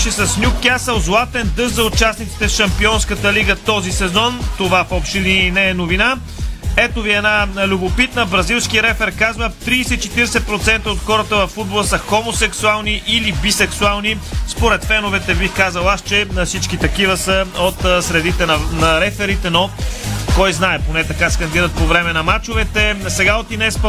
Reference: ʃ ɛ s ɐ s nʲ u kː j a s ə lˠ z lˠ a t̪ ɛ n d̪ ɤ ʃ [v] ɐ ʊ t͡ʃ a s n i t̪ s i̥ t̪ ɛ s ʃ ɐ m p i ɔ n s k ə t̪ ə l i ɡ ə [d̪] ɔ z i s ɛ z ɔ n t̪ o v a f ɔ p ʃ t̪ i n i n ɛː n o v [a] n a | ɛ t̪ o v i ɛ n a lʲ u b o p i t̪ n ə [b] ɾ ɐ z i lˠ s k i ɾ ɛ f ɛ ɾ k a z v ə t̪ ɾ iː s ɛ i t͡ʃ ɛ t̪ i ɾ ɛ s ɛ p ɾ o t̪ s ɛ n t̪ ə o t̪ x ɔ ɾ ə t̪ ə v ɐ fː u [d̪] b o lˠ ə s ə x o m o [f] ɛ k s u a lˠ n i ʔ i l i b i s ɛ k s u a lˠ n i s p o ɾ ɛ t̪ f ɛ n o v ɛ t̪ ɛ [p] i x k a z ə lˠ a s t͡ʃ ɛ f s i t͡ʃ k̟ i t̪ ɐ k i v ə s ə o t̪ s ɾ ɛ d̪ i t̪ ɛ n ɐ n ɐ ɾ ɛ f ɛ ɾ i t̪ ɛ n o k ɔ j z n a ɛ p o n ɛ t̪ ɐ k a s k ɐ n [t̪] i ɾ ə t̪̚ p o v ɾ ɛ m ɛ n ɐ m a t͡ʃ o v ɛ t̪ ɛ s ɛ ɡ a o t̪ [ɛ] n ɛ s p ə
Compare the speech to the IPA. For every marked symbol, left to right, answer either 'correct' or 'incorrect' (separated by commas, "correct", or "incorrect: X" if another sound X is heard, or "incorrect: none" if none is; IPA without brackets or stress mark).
incorrect: z, incorrect: t̪, incorrect: i, correct, correct, incorrect: s, incorrect: b, incorrect: d̪, incorrect: i